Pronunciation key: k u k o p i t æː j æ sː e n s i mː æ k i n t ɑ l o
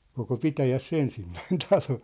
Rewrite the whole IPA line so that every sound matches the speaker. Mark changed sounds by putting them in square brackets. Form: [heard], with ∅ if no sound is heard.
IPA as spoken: k [o] k o p i t [æ] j æ sː e n s i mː æ [∅] i n t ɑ l o